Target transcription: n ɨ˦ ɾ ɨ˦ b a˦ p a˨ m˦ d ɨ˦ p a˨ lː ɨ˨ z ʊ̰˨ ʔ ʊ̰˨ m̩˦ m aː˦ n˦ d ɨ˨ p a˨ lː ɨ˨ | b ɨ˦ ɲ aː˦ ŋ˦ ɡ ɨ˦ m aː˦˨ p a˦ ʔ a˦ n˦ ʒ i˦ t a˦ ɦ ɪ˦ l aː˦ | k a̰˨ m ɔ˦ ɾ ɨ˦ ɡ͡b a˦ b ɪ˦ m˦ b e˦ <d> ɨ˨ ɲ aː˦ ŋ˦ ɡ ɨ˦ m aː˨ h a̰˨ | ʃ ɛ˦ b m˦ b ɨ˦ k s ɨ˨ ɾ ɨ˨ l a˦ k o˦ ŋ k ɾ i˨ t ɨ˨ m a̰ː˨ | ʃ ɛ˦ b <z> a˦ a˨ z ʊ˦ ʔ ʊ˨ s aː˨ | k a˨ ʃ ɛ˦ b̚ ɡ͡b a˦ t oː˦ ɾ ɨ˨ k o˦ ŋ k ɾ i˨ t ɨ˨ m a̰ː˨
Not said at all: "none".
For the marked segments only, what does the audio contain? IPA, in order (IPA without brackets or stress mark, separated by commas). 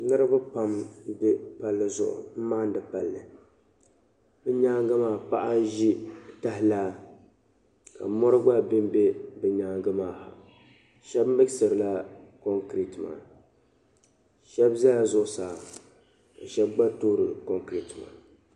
b, z